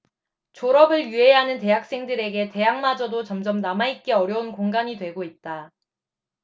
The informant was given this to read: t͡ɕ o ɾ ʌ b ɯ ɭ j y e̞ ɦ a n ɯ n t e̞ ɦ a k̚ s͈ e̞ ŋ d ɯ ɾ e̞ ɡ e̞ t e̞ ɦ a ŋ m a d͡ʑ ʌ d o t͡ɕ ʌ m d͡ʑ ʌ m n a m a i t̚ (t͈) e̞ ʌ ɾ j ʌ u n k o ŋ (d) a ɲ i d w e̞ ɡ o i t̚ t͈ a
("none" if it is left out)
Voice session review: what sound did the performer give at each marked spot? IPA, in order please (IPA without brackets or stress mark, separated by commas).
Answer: k͈, ɡ